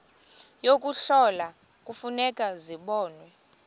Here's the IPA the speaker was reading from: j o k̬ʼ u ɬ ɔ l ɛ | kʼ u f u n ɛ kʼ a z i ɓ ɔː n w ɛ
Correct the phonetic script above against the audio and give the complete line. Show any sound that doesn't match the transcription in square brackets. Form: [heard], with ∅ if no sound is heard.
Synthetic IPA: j o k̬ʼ u ɬ ɔ l [a] | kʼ u f u n ɛ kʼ a z i ɓ ɔː n w ɛ